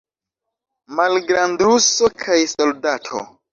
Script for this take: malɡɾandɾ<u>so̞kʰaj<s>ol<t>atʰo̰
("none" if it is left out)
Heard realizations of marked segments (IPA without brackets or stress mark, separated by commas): u, s, d